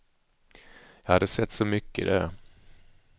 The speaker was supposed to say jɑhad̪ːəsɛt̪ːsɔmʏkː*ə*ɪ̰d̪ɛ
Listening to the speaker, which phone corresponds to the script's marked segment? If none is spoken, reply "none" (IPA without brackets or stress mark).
ə